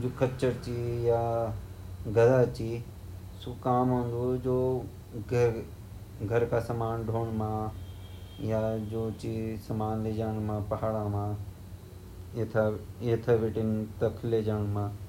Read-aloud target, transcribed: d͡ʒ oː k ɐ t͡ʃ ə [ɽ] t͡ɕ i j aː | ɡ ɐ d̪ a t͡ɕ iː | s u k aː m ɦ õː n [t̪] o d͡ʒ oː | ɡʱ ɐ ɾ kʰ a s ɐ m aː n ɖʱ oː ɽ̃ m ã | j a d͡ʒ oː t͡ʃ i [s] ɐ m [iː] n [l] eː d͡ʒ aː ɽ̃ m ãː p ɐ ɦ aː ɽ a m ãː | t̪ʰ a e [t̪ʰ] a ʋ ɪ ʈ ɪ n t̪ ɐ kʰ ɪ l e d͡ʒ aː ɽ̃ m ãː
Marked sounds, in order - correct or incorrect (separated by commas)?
incorrect, incorrect, correct, incorrect, correct, correct